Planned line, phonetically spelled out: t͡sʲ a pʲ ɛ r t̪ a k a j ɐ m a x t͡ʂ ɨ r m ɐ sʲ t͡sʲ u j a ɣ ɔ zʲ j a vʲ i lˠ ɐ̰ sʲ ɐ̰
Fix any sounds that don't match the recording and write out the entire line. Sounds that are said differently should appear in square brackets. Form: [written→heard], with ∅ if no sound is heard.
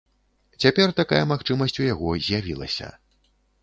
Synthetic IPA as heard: t͡sʲ a pʲ ɛ r t̪ a k a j ɐ m a x t͡ʂ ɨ [r→∅] m ɐ sʲ t͡sʲ u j a ɣ ɔ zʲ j a vʲ i lˠ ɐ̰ sʲ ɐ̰